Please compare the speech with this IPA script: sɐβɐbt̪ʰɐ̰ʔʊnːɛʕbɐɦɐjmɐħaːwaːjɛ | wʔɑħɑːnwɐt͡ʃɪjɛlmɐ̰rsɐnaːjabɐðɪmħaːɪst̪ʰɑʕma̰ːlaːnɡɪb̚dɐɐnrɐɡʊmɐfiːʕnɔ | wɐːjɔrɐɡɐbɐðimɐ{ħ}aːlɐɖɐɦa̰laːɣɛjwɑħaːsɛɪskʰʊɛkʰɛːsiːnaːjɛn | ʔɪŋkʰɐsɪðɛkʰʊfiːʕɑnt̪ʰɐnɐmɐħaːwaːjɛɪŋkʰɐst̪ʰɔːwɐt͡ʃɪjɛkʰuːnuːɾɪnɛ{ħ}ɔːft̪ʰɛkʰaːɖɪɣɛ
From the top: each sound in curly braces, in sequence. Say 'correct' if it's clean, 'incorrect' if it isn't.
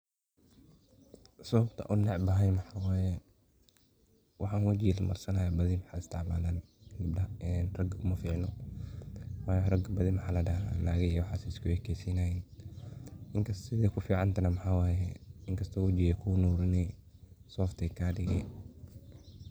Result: correct, incorrect: s

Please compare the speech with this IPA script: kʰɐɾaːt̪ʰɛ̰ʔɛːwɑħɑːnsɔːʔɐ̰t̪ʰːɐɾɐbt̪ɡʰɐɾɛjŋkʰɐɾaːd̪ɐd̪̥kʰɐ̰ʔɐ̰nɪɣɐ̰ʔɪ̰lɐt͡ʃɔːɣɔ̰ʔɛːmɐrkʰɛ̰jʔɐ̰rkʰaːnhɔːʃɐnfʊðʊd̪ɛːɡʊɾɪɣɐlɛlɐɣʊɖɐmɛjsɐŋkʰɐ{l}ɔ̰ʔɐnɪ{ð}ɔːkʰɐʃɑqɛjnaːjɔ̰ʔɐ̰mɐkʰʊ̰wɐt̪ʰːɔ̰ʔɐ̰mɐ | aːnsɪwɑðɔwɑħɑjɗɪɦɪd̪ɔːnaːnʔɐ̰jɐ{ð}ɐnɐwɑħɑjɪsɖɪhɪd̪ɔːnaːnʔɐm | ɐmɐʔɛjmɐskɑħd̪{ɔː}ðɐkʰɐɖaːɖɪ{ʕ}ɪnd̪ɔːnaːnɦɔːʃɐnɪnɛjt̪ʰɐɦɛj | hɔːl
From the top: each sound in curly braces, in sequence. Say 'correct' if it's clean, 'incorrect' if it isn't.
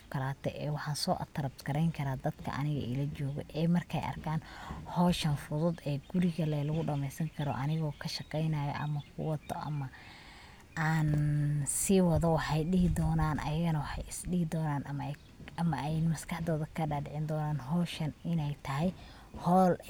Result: incorrect: ɾ, incorrect: ɣ, incorrect: ɣ, correct, correct

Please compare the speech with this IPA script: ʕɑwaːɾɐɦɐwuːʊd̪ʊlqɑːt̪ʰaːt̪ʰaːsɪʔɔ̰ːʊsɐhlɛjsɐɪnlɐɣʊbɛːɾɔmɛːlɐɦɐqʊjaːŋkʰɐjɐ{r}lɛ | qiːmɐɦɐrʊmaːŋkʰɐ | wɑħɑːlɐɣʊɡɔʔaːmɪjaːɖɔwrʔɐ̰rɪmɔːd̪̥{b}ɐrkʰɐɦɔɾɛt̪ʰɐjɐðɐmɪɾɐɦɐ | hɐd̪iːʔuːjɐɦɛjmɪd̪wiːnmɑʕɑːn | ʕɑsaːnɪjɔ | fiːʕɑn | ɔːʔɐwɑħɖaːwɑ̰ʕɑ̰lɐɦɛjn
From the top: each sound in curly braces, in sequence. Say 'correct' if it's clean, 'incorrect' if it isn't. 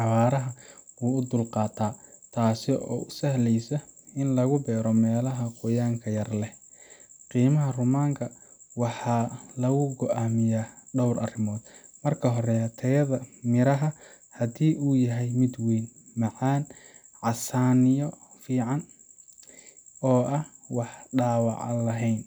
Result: correct, incorrect: m

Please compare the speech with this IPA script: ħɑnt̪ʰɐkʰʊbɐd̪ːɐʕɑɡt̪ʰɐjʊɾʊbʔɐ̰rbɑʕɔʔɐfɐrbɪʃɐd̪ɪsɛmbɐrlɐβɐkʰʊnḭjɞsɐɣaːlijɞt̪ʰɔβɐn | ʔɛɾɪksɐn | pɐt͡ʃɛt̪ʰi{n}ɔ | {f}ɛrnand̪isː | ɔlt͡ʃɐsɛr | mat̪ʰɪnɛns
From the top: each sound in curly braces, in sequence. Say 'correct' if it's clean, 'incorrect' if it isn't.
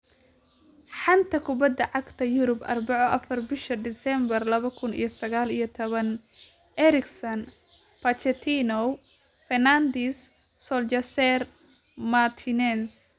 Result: correct, correct

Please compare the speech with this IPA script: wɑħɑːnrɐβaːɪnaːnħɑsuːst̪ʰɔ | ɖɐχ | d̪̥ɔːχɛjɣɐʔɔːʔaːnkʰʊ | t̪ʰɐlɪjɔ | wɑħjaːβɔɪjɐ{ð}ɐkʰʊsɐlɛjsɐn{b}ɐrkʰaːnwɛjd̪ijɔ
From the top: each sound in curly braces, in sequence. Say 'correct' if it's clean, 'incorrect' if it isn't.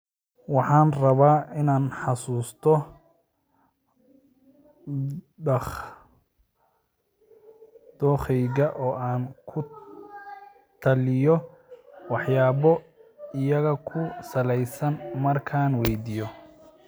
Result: incorrect: ɣ, incorrect: m

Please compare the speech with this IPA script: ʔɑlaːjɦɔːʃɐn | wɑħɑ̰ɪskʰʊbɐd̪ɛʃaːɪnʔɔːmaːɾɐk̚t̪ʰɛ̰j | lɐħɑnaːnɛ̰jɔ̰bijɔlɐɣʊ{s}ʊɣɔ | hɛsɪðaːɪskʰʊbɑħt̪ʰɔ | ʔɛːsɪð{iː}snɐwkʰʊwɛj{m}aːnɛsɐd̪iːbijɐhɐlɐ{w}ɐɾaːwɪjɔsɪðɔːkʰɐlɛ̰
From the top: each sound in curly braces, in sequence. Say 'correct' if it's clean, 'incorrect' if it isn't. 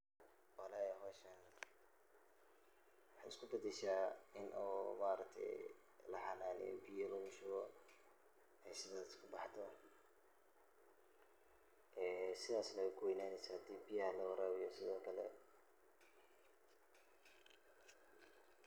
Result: incorrect: ʃ, incorrect: aː, incorrect: n, correct

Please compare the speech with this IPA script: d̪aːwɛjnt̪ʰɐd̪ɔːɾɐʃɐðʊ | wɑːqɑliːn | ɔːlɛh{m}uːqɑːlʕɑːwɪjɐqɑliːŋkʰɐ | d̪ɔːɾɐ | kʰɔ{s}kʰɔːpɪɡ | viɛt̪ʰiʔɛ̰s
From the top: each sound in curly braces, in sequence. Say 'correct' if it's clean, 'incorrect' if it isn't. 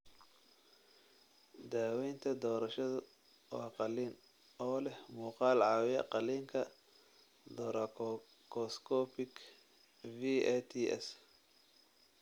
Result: correct, correct

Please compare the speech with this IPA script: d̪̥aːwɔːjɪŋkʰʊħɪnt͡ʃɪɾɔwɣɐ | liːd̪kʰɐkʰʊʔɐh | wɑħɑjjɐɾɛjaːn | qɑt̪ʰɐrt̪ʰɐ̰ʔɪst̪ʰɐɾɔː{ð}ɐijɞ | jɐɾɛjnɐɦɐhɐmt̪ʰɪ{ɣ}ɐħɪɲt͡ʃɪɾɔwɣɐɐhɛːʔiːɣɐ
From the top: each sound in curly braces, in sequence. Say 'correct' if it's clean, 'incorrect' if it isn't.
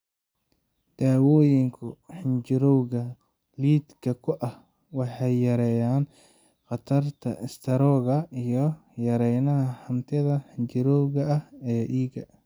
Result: incorrect: ɣ, incorrect: ð

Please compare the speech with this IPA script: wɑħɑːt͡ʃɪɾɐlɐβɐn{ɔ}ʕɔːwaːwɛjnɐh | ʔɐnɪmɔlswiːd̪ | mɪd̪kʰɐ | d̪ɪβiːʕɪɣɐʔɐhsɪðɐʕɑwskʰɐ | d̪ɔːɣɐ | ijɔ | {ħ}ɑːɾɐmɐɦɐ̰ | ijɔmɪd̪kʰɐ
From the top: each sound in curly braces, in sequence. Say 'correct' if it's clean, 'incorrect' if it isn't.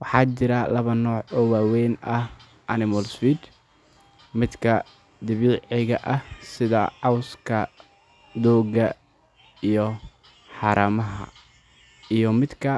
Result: incorrect: ɔː, correct

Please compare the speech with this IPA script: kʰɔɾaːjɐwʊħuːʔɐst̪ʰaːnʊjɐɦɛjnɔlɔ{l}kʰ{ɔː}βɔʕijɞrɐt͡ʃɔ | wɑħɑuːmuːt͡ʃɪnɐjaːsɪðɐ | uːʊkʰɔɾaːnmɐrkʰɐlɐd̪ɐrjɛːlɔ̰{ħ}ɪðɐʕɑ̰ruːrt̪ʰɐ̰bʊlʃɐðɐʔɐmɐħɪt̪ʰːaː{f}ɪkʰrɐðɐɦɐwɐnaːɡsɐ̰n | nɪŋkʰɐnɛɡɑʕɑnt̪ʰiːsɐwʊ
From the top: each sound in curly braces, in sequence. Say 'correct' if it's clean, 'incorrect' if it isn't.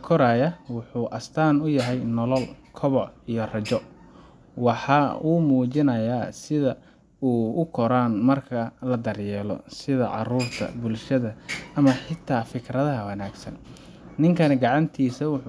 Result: correct, incorrect: ɔ, incorrect: s, correct

